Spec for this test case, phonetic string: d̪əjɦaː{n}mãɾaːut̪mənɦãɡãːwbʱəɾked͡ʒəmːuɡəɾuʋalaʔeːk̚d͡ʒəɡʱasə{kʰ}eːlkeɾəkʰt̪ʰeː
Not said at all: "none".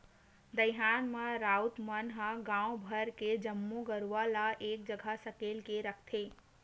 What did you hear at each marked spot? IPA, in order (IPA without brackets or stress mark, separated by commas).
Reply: n, k